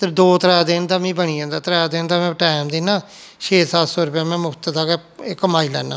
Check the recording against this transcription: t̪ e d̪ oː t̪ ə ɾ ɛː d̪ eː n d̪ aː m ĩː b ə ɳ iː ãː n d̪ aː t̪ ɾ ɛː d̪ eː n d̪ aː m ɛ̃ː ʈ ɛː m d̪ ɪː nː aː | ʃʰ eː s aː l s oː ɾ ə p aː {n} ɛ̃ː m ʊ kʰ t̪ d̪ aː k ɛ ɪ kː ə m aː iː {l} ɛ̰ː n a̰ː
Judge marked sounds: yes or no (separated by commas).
no, yes